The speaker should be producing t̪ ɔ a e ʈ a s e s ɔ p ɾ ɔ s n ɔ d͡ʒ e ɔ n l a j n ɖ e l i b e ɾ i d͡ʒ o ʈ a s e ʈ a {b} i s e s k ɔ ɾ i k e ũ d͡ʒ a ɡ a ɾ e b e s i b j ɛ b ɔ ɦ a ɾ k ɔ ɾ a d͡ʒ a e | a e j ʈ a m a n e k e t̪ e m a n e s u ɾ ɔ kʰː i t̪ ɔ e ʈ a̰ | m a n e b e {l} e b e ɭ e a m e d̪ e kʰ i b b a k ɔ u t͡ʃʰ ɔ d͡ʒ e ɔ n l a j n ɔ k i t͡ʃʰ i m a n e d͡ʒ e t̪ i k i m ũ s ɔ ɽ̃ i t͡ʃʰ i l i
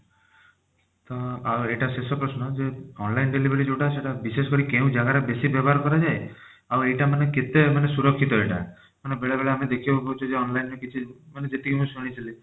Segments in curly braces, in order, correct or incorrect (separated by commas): correct, incorrect